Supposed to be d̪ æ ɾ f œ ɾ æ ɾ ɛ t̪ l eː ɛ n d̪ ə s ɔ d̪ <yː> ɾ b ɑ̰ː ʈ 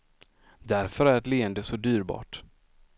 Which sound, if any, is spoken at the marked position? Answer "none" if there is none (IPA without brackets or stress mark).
yː